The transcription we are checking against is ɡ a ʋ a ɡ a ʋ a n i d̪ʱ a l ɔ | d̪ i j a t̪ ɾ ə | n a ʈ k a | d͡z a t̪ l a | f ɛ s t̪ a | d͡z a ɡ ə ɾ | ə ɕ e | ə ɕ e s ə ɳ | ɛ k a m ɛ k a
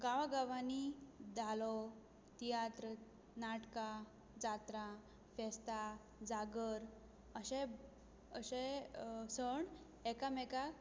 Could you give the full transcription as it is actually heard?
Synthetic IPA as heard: ɡ a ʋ a ɡ a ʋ a n i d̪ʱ a l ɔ | t̪ i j a t̪ ɾ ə | n a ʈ k a | d͡z a t̪ ɾ a | f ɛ s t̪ a | d͡z a ɡ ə ɾ | ə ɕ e | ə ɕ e s ə ɳ | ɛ k a m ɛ k a